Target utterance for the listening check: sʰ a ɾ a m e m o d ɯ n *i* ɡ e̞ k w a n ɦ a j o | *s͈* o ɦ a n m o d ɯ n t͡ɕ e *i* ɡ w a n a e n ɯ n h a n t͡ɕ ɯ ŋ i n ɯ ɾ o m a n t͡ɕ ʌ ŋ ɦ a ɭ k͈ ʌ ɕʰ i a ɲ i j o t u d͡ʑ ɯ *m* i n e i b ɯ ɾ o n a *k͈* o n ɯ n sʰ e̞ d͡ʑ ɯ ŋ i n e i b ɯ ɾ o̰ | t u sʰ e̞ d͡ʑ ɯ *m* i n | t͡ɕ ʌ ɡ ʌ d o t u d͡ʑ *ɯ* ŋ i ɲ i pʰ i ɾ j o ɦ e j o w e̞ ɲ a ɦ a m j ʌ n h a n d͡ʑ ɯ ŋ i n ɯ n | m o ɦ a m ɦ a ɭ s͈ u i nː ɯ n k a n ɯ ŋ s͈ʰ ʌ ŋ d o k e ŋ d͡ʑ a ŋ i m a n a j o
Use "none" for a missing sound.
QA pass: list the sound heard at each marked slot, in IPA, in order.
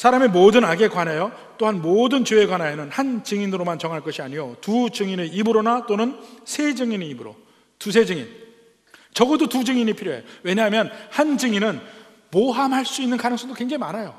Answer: a, t͈, e, ŋ, t͈, ŋ, ɯ

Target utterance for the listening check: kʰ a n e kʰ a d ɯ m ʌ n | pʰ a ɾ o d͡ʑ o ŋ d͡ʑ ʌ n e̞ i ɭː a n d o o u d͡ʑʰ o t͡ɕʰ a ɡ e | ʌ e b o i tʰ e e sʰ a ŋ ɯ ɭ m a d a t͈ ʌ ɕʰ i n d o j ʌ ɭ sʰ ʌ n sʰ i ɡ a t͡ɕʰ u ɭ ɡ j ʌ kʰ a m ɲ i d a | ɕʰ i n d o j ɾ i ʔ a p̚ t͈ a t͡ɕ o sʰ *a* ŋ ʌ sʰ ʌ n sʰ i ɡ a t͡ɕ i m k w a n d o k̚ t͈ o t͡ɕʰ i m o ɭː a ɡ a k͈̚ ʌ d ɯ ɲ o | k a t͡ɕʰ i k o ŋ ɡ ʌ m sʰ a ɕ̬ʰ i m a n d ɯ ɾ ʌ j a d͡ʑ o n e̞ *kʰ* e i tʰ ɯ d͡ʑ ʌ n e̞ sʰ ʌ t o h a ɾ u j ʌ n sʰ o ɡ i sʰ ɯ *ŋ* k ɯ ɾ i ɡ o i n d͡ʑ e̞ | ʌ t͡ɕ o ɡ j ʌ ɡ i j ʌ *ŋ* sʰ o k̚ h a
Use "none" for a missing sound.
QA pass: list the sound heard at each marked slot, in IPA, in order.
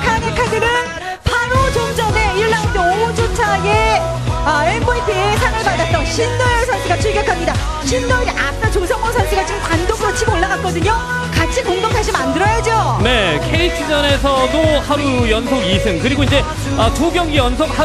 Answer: ʌ, kʰ, ŋ, n

